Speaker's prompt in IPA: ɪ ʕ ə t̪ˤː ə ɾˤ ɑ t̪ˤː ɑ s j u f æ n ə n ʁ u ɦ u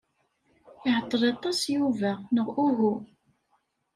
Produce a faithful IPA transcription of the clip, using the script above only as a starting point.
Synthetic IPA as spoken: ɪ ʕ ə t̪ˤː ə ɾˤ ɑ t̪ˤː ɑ s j u v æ n ə ʁ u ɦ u